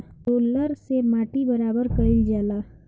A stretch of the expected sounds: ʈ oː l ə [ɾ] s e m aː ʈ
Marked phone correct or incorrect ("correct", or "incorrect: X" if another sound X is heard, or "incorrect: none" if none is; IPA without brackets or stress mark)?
correct